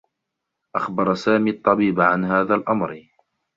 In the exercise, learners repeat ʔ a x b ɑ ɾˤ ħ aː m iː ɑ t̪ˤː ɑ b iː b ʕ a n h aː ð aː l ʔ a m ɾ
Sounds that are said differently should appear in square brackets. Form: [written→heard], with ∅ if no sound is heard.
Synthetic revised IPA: ʔ a x b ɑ ɾˤ [ħ→s] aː m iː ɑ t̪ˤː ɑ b iː b ʕ a n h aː ð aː l ʔ a m ɾ